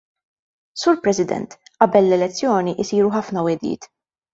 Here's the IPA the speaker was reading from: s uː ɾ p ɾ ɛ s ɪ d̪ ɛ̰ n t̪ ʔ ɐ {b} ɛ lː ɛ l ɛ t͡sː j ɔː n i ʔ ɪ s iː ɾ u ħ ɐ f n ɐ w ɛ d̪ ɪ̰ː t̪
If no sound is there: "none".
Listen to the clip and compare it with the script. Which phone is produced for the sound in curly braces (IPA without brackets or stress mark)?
b